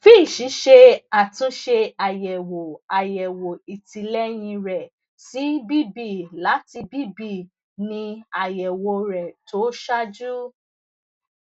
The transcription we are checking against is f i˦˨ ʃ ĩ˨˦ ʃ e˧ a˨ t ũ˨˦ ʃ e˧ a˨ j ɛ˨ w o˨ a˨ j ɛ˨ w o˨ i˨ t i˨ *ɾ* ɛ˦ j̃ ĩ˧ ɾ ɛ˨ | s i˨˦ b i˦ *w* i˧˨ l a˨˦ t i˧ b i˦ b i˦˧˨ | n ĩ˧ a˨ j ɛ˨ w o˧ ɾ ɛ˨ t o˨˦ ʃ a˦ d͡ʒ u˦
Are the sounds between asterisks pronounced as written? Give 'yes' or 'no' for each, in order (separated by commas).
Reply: no, no